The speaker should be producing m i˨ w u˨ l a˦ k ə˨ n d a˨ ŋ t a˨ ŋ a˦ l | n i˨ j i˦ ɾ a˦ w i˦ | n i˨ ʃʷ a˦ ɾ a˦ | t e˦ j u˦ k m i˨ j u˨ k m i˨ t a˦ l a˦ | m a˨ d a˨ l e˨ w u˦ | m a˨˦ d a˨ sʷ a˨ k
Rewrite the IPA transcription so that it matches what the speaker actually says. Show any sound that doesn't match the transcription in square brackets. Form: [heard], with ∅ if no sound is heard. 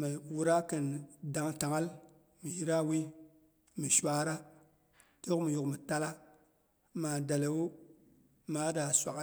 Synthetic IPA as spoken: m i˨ w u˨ [ɾ] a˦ k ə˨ n d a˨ ŋ t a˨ ŋ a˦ l | [m] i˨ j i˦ ɾ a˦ w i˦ | [m] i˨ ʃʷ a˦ ɾ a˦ | t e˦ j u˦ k m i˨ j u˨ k m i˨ t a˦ l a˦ | m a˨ d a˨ l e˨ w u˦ | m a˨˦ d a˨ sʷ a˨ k